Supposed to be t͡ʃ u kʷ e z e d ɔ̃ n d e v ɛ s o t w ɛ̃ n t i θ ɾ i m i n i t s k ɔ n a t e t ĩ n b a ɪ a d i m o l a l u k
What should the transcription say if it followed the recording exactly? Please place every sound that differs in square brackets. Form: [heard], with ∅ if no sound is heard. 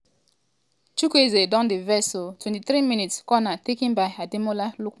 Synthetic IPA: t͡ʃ u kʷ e z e d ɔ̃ n d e v ɛ s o t w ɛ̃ n t i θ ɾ i m i n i t s k ɔ n a t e [k] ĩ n b a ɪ a d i m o l a l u k